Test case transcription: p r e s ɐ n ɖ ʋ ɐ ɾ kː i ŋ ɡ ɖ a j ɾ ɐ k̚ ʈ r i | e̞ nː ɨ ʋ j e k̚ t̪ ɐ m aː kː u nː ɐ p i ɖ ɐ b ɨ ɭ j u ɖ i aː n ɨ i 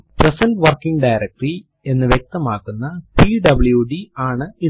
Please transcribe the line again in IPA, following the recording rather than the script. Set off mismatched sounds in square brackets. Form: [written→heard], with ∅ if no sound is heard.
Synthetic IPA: p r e s ɐ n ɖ ʋ ɐ [ɾ→r] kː i ŋ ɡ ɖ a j ɾ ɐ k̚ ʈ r i | e̞ nː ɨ ʋ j e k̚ t̪ ɐ m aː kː u nː ɐ p i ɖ ɐ b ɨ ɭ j u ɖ i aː [n→ɳ] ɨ i

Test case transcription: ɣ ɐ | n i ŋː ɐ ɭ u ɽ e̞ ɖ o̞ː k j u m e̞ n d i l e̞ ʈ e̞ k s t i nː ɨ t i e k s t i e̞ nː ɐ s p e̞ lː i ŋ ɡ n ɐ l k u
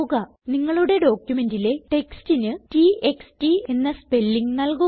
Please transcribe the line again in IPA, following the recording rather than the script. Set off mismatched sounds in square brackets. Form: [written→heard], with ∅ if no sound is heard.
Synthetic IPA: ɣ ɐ | n i ŋː ɐ ɭ u ɽ e̞ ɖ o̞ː k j u m e̞ n d i l e̞ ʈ e̞ k s t i [nː→n] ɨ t i e k s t i e̞ nː ɐ s p e̞ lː i ŋ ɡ n ɐ l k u

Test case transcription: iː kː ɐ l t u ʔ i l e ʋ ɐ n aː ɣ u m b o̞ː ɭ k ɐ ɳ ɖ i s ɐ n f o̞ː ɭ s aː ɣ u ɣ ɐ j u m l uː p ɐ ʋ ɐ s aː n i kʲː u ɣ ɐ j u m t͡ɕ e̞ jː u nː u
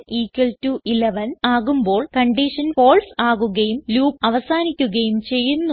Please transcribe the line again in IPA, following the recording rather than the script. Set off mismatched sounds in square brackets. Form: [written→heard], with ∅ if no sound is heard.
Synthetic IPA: iː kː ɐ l t u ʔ i l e ʋ ɐ n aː ɣ u m b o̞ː ɭ k ɐ ɳ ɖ i [s→ʂ] ɐ n f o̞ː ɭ s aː ɣ u ɣ ɐ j u m l uː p ɐ ʋ ɐ s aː n i kʲː u ɣ ɐ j u m t͡ɕ e̞ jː u nː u

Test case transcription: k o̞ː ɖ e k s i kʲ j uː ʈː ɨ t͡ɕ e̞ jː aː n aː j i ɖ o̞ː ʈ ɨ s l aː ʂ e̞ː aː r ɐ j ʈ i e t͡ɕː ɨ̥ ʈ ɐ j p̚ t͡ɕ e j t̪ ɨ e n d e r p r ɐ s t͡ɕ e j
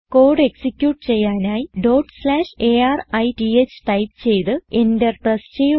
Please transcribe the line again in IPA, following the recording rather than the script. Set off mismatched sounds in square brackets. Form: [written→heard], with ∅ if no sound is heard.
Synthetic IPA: k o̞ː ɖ e k s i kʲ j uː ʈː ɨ t͡ɕ e̞ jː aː n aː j i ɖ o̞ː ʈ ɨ s l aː ʂ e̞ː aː r ɐ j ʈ i e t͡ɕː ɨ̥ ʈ ɐ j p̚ t͡ɕ e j t̪ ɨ e n d e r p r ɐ s t͡ɕ e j

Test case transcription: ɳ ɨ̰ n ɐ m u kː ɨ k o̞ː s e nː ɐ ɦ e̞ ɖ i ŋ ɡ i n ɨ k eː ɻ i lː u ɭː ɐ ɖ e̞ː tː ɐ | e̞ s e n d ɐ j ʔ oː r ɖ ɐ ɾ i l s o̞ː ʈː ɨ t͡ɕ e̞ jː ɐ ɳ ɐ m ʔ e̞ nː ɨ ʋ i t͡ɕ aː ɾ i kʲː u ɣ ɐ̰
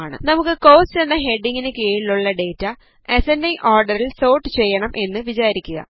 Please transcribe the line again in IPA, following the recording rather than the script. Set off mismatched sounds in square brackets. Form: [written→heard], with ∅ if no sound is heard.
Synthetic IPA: ɳ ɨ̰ n ɐ m u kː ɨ k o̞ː s e nː ɐ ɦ e̞ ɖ i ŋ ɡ i n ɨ k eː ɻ i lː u ɭː ɐ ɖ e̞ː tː ɐ | e̞ s e n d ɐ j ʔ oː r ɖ ɐ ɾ i l s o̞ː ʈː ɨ t͡ɕ e̞ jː ɐ ɳ ɐ m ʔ e̞ nː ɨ ʋ i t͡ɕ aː ɾ i kʲː u ɣ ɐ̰

